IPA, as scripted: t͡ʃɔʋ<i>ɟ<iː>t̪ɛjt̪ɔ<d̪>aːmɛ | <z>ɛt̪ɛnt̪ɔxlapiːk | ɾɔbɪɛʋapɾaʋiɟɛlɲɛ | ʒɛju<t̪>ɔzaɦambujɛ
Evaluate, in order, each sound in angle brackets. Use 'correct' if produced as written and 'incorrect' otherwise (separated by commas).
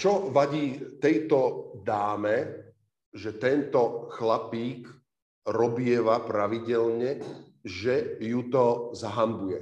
incorrect, correct, correct, incorrect, correct